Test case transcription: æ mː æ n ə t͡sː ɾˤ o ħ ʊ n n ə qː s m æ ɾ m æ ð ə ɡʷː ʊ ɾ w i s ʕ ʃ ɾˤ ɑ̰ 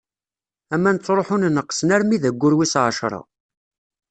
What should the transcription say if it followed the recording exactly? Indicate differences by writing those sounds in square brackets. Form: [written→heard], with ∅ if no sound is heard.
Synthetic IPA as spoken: æ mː æ n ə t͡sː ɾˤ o ħ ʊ n n ə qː s [m→n] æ ɾ m [æ→i] ð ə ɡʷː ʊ ɾ w i s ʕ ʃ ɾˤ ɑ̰